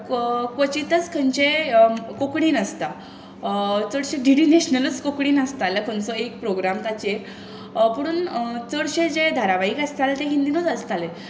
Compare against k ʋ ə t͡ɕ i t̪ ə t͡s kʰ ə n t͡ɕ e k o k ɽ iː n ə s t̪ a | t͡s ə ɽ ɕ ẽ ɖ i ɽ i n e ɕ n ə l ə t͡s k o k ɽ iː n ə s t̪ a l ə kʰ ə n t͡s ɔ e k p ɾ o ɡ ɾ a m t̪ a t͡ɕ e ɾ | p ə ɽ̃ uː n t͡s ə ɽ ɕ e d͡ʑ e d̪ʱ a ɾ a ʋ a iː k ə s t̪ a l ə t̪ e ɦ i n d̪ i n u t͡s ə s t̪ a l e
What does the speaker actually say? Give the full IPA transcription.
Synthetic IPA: k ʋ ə t͡ɕ i t̪ ə t͡s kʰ ə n t͡ɕ e k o k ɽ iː n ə s t̪ a | t͡s ə ɽ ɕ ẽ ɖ i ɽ i n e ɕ n ə l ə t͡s k o k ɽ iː n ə s t̪ a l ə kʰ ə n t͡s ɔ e k p ɾ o ɡ ɾ a m t̪ a t͡ɕ e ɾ | p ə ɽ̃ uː n t͡s ə ɽ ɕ e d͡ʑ e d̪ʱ a ɾ a ʋ a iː k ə s t̪ a l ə t̪ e ɦ i n d̪ i n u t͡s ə s t̪ a l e